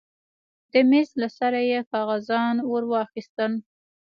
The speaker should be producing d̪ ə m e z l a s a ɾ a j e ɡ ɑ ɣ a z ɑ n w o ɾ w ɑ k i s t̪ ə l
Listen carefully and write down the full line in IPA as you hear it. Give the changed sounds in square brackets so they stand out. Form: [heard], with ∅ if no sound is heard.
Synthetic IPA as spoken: d̪ ə m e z l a s a ɾ a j e [k] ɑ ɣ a z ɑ n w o ɾ w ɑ [x] i s t̪ ə l